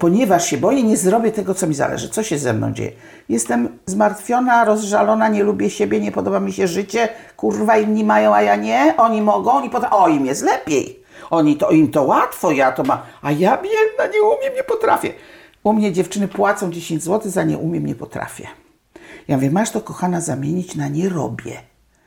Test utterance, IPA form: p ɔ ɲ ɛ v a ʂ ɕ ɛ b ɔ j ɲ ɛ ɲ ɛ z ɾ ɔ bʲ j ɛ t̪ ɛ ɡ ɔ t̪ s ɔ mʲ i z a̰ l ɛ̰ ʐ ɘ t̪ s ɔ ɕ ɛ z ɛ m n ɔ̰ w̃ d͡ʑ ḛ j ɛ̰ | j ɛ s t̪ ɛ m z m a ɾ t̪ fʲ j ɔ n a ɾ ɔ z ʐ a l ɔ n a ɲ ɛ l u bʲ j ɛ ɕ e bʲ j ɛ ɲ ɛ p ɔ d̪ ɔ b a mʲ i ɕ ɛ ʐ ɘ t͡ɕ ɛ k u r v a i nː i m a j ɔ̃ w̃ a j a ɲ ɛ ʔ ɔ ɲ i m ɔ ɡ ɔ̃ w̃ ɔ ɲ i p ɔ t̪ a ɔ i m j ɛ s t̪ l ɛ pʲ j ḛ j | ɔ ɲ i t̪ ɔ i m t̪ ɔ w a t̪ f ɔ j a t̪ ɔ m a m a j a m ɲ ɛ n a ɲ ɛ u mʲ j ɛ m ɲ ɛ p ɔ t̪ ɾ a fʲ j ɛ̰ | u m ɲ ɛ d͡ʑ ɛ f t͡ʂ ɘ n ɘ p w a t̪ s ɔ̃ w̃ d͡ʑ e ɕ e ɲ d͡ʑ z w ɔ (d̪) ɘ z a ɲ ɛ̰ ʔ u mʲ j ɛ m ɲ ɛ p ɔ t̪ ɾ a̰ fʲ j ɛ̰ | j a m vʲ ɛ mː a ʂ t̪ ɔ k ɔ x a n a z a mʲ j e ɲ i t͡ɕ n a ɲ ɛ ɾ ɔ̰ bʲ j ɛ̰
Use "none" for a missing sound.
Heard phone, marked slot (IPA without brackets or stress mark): t̪